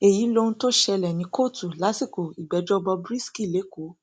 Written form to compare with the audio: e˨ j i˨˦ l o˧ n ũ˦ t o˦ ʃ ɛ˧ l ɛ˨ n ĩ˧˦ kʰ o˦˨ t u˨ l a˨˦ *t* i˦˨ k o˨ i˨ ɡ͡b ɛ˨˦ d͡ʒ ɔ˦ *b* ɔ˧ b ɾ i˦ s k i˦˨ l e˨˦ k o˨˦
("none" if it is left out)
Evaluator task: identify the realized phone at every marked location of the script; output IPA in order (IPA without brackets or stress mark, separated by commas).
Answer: s, b